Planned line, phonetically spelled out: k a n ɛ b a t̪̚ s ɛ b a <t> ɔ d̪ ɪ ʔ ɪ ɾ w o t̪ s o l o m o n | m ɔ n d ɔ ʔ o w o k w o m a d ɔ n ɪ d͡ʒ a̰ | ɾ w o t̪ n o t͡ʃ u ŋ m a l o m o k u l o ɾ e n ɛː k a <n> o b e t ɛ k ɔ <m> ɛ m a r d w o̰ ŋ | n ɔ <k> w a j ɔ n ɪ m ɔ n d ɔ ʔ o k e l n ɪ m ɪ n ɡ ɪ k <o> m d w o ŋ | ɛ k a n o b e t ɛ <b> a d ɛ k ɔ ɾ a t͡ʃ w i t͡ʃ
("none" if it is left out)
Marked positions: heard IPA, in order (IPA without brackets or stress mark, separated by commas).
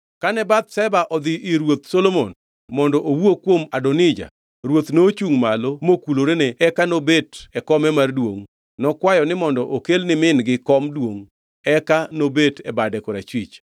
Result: ʔ, n, m, k, ɔ, b